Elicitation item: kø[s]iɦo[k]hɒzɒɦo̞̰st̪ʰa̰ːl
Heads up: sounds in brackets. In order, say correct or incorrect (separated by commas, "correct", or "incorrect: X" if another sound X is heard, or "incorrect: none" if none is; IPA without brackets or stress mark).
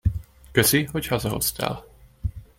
correct, incorrect: c